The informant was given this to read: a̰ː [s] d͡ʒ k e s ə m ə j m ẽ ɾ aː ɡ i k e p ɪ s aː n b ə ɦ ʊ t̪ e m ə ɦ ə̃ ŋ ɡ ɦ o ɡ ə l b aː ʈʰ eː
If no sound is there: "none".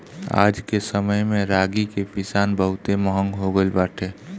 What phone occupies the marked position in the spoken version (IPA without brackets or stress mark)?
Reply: none